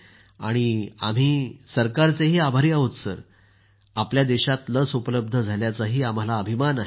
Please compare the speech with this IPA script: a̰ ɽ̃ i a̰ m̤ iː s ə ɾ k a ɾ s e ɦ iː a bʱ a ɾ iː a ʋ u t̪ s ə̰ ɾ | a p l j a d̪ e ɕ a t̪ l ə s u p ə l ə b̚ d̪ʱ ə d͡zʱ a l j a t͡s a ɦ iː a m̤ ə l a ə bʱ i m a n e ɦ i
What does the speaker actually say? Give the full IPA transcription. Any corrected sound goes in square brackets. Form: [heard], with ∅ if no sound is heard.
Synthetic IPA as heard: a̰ ɽ̃ i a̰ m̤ iː s ə ɾ k a ɾ [t͡s] e ɦ iː a bʱ a ɾ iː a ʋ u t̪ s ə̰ ɾ | a p l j a d̪ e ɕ a t̪ l ə s u p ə l ə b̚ d̪ʱ ə d͡zʱ a l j a t͡s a ɦ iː a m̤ [a] l a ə bʱ i m a n [a] ɦ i